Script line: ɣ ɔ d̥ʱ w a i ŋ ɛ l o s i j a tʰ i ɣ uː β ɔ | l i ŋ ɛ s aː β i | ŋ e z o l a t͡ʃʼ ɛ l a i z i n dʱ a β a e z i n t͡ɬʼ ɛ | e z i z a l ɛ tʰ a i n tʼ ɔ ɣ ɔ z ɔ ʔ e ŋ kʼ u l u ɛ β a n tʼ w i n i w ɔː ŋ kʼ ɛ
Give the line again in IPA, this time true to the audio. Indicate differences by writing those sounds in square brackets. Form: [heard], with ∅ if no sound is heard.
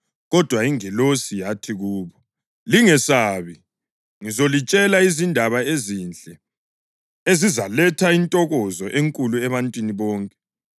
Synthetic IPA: ɣ ɔ d̥ʱ w a i ŋ ɛ l o s i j a tʰ i ɣ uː β ɔ | l i ŋ ɛ s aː β i | ŋ [i] z o l [i] t͡ʃʼ ɛ l a i z i n dʱ a β a e z i n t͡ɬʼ ɛ | e z i z a l ɛ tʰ a i n tʼ ɔ ɣ ɔ z ɔ ʔ e ŋ kʼ u l u ɛ β a n tʼ w i n i [β] ɔː ŋ kʼ ɛ